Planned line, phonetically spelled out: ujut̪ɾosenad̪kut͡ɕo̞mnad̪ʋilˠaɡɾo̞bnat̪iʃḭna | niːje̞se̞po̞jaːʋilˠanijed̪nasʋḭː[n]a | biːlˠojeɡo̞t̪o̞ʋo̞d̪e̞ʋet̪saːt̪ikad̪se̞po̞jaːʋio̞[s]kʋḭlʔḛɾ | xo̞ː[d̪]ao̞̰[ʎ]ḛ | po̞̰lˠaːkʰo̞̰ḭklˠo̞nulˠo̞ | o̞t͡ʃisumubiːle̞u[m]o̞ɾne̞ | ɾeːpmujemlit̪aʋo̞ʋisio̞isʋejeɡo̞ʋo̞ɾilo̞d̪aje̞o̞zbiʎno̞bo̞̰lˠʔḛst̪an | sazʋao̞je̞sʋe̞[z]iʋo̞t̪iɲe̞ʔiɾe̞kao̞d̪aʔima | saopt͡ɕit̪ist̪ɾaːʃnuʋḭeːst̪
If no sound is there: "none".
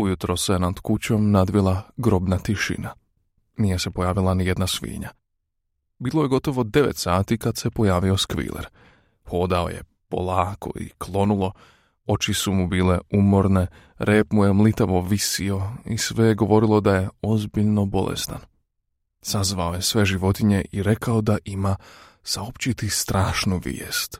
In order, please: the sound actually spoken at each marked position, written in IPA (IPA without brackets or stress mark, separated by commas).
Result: ɲ, s, d̪, j, m, ʒ